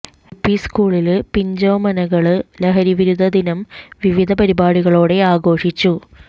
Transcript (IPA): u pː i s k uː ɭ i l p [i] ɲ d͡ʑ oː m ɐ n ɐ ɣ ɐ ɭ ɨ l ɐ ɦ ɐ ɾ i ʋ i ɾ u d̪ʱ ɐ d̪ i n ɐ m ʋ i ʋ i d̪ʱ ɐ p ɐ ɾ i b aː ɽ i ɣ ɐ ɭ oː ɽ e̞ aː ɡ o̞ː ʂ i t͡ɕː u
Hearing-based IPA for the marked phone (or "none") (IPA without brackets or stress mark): i